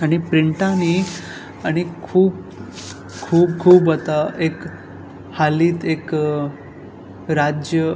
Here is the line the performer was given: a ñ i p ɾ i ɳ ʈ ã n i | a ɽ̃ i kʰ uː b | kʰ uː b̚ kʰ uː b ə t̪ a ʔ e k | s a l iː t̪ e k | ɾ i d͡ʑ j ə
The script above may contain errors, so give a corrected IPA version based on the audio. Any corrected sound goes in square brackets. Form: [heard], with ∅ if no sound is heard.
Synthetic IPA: a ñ i p ɾ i ɳ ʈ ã n i | a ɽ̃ i kʰ uː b | kʰ uː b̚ kʰ uː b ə t̪ a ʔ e k | [h] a l iː t̪ e k | ɾ [a] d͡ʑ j ə